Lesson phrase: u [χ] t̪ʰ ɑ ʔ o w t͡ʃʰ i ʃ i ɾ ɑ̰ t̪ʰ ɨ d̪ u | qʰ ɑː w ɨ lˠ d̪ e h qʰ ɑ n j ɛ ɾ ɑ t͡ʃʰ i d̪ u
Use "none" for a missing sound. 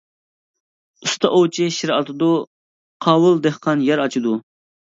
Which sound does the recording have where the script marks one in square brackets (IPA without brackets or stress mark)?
s